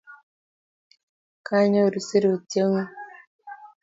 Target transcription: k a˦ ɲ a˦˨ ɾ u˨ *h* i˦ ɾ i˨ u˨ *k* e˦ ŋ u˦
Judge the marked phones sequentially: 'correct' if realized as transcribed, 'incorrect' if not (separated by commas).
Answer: incorrect, incorrect